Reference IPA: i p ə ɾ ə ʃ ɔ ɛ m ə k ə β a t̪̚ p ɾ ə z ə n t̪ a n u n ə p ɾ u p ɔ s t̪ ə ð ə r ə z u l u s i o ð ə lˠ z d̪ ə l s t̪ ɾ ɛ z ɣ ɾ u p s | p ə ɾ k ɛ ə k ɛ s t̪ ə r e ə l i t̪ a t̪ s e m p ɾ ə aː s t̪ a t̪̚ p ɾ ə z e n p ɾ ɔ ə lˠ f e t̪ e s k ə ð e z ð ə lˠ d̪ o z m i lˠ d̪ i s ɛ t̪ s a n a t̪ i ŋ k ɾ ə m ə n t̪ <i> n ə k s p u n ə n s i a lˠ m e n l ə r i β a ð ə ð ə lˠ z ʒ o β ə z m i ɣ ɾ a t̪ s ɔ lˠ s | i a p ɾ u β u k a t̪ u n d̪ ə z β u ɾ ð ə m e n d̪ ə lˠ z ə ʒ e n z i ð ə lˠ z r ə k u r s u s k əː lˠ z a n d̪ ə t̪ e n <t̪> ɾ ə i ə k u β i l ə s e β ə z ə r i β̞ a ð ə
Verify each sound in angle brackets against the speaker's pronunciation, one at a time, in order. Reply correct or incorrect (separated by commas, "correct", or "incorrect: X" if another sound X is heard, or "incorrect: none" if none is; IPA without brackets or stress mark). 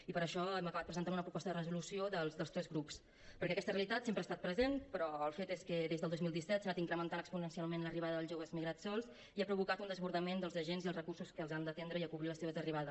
incorrect: a, incorrect: d̪